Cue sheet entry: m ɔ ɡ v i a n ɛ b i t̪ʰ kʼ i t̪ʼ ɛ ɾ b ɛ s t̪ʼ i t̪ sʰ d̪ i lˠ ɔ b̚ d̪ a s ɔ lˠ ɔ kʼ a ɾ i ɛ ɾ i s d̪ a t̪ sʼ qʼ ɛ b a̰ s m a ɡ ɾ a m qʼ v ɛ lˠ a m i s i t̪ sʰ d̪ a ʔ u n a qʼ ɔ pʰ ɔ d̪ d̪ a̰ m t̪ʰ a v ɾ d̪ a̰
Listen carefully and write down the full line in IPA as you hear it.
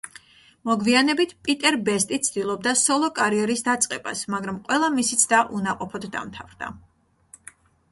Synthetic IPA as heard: m ɔ ɡ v i a n ɛ b i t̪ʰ pʼ i t̪ʼ ɛ ɾ b ɛ s t̪ʼ i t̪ sʰ d̪ i lˠ ɔ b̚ d̪ a s ɔ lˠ ɔ kʼ a ɾ i ɛ ɾ i s d̪ a t̪ sʼ qʼ ɛ b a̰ s m a ɡ ɾ a m qʼ w ɛ lˠ a m i s i t̪ sʰ d̪ a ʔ u n a qʼ ɔ pʰ ɔ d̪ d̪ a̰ m t̪ʰ a v ɾ d̪ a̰